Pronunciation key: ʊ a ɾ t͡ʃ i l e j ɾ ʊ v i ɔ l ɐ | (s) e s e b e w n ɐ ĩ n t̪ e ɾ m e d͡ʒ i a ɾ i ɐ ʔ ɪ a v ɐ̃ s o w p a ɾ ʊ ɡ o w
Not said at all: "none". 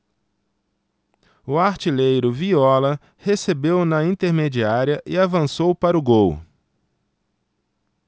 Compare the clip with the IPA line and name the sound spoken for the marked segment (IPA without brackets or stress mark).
h